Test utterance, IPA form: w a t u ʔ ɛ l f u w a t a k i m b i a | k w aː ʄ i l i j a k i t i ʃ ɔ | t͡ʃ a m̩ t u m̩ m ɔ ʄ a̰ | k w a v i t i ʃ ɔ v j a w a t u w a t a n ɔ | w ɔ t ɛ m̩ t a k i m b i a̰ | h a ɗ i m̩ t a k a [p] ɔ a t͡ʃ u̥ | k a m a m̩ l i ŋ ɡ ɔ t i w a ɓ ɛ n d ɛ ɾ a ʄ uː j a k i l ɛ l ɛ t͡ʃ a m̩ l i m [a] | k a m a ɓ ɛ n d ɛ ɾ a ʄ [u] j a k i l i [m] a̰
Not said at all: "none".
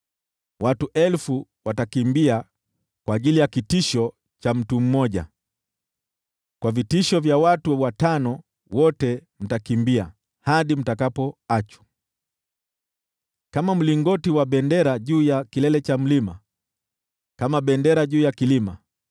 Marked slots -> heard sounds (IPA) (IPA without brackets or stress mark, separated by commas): p, a, uː, m